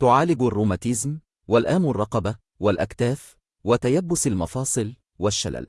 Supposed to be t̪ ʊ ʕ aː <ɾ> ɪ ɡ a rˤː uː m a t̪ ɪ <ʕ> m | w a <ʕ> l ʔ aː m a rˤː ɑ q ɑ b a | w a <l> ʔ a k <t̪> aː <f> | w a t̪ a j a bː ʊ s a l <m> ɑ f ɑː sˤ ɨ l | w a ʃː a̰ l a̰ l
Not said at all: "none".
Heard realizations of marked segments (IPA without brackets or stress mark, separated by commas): l, z, none, l, t̪, f, m